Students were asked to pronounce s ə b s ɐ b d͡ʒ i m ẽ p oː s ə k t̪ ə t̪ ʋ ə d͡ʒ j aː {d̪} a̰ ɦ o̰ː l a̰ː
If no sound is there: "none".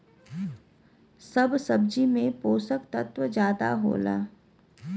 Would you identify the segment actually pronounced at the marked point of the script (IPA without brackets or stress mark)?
d̪